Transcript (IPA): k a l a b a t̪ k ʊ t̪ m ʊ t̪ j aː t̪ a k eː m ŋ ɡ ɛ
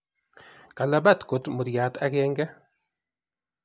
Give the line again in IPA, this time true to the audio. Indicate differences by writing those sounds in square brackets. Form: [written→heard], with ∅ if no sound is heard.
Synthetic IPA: k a l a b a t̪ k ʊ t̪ m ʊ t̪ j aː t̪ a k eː [m→∅] ŋ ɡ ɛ